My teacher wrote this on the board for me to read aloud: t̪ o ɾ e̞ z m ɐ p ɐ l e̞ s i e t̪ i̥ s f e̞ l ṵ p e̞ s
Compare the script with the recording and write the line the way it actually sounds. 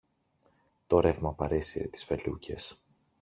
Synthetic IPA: t̪ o ɾ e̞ v m ɐ p ɐ ɾ e̞ s i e t̪ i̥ s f e̞ l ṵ c e̞ s